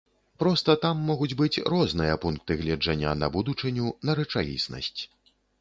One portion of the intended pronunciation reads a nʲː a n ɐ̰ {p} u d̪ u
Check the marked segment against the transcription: incorrect: b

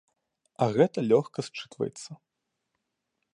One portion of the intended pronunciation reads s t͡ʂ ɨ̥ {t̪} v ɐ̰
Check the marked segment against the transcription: correct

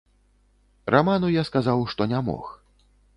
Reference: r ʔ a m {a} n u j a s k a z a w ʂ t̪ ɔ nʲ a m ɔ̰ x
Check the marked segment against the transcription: correct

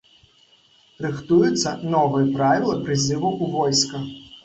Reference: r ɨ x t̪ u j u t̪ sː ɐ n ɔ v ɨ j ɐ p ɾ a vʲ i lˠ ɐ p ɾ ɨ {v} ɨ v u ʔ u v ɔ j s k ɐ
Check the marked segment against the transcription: incorrect: z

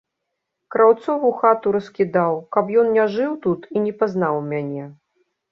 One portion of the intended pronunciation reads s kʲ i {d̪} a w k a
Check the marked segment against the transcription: correct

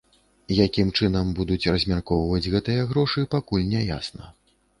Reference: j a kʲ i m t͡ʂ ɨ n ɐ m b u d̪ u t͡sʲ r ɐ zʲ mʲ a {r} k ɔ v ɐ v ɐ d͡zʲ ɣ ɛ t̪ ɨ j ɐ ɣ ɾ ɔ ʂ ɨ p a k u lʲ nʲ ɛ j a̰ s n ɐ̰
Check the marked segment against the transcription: correct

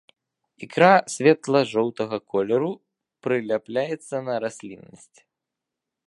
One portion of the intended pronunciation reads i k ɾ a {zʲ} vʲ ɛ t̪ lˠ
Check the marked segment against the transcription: incorrect: sʲ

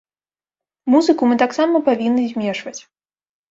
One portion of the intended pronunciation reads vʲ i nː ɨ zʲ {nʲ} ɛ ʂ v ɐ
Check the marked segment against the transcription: incorrect: mʲ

